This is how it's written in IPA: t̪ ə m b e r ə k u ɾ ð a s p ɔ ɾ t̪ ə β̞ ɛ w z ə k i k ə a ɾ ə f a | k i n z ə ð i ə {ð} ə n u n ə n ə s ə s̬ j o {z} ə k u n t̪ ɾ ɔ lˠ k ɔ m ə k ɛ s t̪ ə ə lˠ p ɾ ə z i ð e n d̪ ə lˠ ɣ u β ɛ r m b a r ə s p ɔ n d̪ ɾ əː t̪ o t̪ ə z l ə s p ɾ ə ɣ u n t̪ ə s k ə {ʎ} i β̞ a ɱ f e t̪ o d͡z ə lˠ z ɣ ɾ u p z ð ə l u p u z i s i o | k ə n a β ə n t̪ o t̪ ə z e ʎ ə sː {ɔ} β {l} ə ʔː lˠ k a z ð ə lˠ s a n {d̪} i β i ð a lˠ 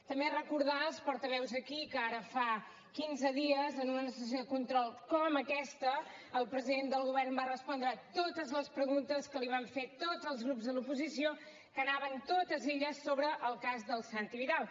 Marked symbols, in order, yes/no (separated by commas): no, no, no, no, no, no